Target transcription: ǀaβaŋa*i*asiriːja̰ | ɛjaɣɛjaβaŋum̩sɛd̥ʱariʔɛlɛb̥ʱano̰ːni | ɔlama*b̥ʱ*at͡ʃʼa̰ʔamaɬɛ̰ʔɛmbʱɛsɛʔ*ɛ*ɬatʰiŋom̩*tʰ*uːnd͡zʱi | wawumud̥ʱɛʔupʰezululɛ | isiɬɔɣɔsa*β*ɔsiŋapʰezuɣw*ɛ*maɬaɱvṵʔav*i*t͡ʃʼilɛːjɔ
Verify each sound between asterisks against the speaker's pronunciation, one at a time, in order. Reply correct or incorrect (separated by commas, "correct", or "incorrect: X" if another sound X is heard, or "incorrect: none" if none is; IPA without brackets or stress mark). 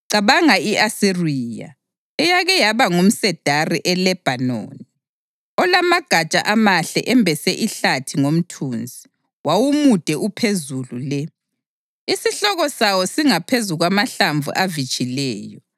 correct, incorrect: ɡ̥ʱ, incorrect: i, correct, incorrect: w, incorrect: a, correct